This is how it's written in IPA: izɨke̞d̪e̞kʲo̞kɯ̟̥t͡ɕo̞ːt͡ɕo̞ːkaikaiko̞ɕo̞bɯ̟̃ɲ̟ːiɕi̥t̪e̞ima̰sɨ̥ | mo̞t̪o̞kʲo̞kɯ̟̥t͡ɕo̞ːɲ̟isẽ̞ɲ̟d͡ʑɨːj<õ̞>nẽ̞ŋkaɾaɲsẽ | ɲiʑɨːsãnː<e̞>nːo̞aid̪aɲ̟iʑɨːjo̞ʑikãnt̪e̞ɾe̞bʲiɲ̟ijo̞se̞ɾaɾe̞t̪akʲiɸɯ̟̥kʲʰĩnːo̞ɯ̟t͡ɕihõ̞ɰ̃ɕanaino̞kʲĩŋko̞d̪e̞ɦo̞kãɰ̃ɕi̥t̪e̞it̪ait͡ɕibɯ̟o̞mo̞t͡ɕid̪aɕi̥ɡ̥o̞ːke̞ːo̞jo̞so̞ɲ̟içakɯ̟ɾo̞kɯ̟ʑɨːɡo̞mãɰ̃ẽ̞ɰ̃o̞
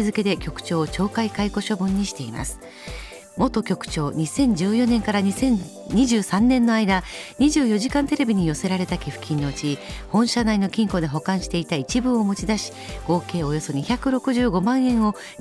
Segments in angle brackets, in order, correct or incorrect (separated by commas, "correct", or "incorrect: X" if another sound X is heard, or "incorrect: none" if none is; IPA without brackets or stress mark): incorrect: o̞, incorrect: ẽ̞